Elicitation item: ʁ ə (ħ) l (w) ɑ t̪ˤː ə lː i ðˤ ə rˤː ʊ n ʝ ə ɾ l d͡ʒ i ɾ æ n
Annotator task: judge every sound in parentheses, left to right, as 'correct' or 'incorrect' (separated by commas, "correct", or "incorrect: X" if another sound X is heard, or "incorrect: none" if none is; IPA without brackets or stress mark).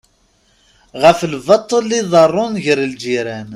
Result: incorrect: f, incorrect: v